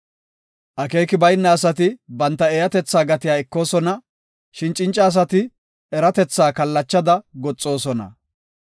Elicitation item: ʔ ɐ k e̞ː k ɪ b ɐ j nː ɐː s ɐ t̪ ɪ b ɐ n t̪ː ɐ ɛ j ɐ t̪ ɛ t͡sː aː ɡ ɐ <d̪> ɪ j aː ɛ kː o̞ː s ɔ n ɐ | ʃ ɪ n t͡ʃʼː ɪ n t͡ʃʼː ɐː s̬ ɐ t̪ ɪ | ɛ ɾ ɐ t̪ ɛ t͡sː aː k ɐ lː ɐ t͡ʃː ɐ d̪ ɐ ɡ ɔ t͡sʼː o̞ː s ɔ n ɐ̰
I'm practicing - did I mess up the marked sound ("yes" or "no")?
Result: yes